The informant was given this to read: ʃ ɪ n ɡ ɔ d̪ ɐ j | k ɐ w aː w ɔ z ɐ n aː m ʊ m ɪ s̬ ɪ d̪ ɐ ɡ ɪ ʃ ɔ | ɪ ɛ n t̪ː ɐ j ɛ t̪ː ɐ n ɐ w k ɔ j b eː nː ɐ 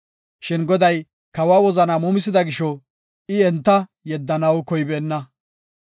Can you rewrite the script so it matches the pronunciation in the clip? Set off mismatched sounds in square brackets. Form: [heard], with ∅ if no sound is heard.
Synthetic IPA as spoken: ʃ ɪ n ɡ ɔ d̪ ɐ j | k ɐ w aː w ɔ z ɐ n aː m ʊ m ɪ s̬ ɪ d̪ ɐ ɡ ɪ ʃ ɔ | ɪ ɛ n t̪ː ɐ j ɛ [d̪ː] ɐ n ɐ w k ɔ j b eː nː ɐ